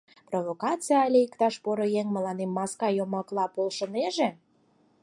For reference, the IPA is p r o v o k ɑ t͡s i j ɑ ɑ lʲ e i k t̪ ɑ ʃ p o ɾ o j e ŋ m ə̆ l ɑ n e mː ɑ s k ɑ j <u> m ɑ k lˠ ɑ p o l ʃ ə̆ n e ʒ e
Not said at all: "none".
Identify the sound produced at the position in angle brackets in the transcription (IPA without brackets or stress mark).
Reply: o